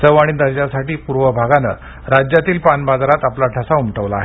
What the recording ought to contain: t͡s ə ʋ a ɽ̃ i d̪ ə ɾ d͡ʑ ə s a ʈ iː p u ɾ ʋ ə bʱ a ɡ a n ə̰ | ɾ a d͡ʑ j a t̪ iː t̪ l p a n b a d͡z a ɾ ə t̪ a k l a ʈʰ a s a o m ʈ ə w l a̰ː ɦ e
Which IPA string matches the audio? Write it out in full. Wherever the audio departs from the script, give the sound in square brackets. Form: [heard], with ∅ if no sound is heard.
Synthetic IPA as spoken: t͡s ə ʋ a ɽ̃ i d̪ ə ɾ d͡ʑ [a] s a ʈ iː p u ɾ ʋ ə bʱ a ɡ a n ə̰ | ɾ a d͡ʑ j a t̪ iː [∅] l p a n b a d͡z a ɾ [a] t̪ a [p] l a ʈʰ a s a [u] m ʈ ə [ʋ] l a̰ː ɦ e